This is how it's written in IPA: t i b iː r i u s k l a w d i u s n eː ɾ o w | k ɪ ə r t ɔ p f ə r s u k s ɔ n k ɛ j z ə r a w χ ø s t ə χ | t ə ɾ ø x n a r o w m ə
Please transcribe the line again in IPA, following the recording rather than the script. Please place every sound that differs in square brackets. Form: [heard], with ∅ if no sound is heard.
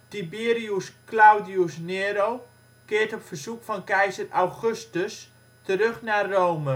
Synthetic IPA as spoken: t i b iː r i u s k l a w d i u s n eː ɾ o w | k ɪ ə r t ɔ p f ə r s u k [f] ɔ n k ɛ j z ə r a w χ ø s t ə [s] | t ə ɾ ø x n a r o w m ə